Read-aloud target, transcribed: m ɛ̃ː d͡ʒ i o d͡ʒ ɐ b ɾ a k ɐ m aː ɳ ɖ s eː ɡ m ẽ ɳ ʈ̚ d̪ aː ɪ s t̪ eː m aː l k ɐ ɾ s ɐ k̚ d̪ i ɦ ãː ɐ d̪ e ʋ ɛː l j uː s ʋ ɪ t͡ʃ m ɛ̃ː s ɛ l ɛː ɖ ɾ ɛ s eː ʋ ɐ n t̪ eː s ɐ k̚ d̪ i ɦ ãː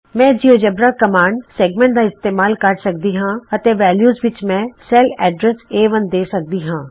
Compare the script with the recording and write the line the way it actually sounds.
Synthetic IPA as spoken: m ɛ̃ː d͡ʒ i o d͡ʒ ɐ b ɾ a k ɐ m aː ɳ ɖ s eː ɡ m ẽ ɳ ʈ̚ d̪ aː ɪ s t̪ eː m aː l k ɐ ɾ s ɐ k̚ d̪ i ɦ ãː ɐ t̪ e ʋ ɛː l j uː z ʋ ɪ t͡ʃ m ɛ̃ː s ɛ l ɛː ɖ ɾ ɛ s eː ʋ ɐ n d̪ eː s ɐ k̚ d̪ i ɦ ãː

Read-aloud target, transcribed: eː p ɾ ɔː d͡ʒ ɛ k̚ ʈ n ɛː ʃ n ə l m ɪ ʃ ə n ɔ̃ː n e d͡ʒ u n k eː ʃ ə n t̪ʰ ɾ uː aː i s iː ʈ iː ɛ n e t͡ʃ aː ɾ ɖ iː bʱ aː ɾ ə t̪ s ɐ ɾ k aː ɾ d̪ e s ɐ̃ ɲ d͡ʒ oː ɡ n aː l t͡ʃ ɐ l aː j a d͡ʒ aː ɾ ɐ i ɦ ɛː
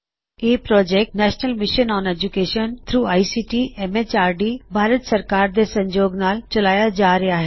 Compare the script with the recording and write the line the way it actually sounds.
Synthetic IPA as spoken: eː p ɾ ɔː d͡ʒ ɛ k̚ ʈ n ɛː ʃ n ə l m ɪ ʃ ə n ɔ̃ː n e d͡ʒ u k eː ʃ ə n t̪ʰ ɾ uː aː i s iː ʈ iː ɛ m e t͡ʃ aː ɾ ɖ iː bʱ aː ɾ ə t̪ s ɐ ɾ k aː ɾ d̪ e s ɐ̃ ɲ d͡ʒ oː ɡ n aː l t͡ʃ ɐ l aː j a d͡ʒ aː ɾ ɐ a ɦ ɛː

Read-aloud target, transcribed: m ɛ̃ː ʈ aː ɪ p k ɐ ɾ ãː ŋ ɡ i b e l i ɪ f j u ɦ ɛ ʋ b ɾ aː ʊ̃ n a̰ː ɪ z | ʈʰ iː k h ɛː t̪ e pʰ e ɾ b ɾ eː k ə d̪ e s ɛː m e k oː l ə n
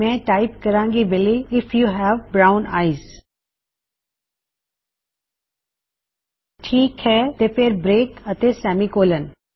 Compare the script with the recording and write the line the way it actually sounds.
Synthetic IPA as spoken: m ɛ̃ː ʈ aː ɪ p k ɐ ɾ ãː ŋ ɡ i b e l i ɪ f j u ɦ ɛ ʋ b ɾ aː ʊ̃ n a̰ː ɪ z | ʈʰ iː k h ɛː t̪ e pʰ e ɾ b ɾ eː k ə t̪ e s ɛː m i k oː l ə n

